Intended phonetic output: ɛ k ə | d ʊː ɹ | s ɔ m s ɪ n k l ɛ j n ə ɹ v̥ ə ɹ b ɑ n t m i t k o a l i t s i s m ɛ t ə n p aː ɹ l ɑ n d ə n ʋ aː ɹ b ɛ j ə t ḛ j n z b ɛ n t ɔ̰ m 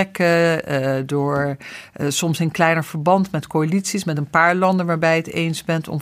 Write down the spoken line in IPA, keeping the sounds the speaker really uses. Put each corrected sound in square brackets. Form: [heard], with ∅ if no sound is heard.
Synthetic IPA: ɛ k ə | d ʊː ɹ | s ɔ m s ɪ n k l ɛ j n ə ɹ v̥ ə ɹ b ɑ n t m [ɛ] t k o a l i t s i s m ɛ t ə n p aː ɹ l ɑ n d ə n ʋ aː ɹ b ɛ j ə t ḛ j n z b ɛ n t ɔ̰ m